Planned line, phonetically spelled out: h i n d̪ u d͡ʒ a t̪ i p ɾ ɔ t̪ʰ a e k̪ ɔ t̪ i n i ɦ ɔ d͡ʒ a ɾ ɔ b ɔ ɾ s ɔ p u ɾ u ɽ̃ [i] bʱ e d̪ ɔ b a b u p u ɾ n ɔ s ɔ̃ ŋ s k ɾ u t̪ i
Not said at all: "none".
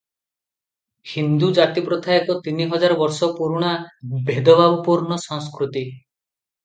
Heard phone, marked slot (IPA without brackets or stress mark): a